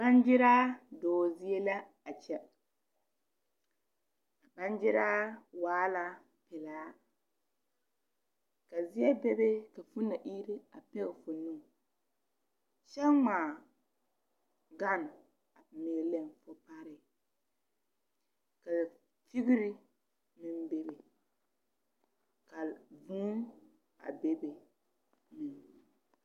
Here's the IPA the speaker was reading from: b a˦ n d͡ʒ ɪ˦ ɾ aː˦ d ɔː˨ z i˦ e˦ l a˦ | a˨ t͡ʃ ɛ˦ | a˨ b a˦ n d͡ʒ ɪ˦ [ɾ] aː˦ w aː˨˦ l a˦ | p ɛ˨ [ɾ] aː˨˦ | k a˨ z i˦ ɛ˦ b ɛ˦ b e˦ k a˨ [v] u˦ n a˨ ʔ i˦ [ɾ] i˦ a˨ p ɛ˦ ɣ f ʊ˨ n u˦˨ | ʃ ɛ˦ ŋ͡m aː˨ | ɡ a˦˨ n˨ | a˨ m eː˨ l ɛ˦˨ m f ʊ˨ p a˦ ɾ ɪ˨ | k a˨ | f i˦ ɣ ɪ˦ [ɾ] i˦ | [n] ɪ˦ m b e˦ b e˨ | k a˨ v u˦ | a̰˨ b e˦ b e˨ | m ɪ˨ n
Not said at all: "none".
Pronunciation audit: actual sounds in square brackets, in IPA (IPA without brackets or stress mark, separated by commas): ɾ, l, f, ɾ, ɾ, m